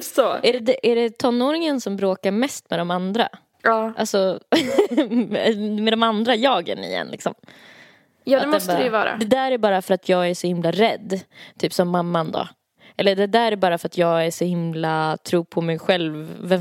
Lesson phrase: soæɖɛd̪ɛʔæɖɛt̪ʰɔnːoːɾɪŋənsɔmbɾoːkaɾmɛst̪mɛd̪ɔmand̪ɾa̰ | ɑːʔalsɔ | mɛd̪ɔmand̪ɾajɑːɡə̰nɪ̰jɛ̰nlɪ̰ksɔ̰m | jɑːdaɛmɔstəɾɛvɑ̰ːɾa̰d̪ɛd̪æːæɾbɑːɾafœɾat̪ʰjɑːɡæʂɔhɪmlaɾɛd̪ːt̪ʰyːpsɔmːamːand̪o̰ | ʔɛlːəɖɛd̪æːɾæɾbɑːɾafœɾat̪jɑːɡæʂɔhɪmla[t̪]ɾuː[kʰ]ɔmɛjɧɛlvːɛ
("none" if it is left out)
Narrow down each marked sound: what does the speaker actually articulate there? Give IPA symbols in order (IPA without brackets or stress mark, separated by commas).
t̪ʰ, pʰ